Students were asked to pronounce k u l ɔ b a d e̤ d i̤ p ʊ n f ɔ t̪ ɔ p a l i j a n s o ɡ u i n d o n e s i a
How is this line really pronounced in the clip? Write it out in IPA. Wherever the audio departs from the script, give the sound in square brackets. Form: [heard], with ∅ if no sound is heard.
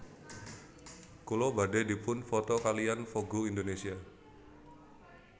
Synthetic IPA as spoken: k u l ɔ b a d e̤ d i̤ p ʊ n f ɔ t̪ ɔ [k] a l i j a n [f] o ɡ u i n d o n e s i a